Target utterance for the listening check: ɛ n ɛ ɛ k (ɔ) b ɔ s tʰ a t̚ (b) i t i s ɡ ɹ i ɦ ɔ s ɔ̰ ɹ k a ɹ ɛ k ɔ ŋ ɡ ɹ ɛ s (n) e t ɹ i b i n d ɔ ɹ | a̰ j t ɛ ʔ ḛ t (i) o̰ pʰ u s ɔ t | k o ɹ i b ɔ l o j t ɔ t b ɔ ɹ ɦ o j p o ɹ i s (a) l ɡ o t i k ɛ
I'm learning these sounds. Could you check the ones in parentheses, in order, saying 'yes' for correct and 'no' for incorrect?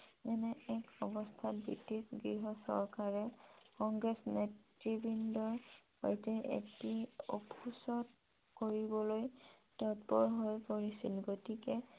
yes, yes, yes, yes, no

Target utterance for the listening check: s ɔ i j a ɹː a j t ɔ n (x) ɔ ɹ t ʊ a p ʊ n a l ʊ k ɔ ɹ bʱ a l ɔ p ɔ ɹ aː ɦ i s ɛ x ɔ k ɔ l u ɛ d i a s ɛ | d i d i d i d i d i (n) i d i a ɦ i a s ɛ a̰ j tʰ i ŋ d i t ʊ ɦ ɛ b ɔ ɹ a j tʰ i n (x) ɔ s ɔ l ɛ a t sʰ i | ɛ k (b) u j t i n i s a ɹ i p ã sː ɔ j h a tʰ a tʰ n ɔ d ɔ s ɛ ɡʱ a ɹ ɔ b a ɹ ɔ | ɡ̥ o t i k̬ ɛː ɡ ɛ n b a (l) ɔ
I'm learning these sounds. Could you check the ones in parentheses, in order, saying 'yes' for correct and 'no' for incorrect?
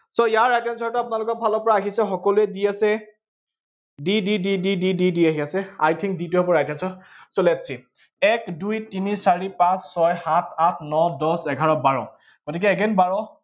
no, no, no, no, no

